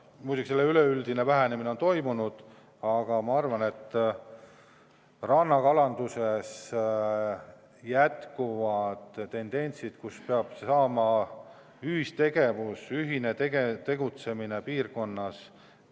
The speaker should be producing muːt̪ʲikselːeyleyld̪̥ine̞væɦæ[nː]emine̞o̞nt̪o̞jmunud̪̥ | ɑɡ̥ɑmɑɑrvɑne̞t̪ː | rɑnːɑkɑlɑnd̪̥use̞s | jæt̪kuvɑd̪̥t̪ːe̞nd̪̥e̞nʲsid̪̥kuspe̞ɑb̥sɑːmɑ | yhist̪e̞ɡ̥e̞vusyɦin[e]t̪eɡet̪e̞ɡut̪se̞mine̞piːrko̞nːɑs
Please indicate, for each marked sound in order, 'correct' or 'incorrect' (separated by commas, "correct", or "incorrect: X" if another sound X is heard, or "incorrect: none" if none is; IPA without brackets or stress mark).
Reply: incorrect: n, correct